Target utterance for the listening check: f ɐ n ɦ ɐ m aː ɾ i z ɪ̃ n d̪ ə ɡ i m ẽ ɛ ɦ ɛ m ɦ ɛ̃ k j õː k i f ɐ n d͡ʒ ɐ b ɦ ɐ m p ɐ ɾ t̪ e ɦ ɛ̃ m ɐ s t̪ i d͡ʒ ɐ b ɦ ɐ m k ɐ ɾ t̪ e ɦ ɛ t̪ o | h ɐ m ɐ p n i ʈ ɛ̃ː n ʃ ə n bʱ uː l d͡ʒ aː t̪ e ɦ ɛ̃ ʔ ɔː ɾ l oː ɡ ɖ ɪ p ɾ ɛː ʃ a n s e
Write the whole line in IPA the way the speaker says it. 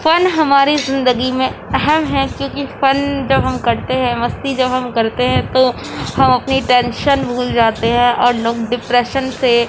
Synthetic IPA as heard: f ɐ n ɦ ɐ m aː ɾ i z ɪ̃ n d̪ ə ɡ i m ẽ ɛ ɦ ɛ m ɦ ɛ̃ k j õː k i f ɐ n d͡ʒ ɐ b ɦ ɐ m k ɐ ɾ t̪ e ɦ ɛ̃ m ɐ s t̪ i d͡ʒ ɐ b ɦ ɐ m k ɐ ɾ t̪ e ɦ ɛ̃ t̪ o | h ɐ m ɐ p n i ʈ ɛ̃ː n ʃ ə n bʱ uː l d͡ʒ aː t̪ e ɦ ɛ̃ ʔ ɔː ɾ l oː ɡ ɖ ɪ p ɾ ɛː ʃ ə n s e